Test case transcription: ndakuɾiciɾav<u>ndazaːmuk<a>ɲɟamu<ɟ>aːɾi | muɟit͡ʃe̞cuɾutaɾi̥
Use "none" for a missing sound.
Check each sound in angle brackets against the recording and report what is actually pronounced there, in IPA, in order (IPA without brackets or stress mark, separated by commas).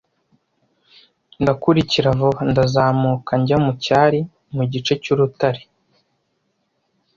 o, a, c